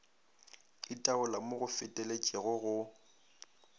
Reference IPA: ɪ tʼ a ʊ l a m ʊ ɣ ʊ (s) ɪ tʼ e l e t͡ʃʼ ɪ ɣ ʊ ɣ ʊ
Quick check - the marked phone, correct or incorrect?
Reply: incorrect: f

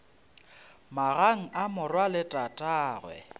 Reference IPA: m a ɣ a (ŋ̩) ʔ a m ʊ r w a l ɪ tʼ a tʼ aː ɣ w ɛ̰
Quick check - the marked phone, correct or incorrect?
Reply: correct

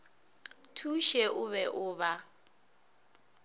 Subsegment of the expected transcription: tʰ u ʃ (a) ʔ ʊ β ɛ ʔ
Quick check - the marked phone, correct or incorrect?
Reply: incorrect: ɛ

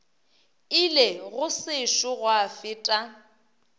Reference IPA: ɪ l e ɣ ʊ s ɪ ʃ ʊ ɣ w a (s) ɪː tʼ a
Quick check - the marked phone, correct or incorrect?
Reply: incorrect: f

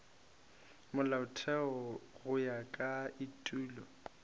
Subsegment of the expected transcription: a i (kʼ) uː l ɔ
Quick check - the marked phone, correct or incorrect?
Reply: incorrect: tʼ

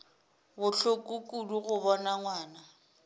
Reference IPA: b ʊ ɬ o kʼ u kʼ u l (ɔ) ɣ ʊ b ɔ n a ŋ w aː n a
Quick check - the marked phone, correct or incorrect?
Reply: incorrect: u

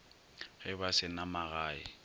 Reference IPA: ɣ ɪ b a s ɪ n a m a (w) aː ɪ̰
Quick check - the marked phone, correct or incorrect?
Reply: incorrect: ɣ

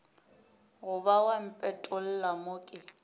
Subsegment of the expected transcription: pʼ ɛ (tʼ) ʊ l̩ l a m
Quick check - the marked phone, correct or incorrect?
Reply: correct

